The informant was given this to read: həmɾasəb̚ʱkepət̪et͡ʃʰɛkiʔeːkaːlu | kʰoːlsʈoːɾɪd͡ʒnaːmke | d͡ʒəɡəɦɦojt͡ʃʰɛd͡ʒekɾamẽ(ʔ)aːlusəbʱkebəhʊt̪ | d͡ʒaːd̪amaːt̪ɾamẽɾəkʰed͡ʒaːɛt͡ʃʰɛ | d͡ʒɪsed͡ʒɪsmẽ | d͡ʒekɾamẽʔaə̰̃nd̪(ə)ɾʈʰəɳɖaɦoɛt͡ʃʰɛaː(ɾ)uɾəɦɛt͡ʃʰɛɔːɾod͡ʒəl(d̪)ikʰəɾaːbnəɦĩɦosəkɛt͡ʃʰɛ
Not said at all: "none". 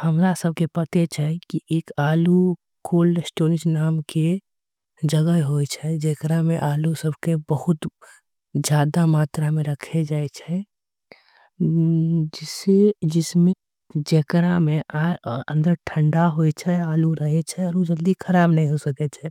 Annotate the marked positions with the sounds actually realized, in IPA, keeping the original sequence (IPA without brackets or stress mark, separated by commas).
ʔ, ə, l, d̪